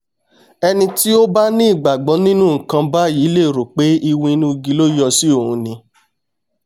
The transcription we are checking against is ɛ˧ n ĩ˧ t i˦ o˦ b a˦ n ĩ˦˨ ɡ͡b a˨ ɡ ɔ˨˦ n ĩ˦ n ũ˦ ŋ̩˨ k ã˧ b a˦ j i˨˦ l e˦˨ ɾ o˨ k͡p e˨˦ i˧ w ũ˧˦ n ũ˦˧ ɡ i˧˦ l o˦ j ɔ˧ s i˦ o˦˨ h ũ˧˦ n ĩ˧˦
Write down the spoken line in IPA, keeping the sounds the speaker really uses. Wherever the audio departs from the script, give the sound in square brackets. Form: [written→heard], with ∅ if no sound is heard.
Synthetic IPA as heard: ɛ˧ n ĩ˧ t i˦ o˦ b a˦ n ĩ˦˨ ɡ͡b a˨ [ɡ→ɡ͡b] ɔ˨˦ n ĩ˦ n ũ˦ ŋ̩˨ k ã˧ b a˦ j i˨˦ l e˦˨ ɾ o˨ k͡p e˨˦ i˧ w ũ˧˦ n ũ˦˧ ɡ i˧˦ l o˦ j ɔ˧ s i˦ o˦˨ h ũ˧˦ n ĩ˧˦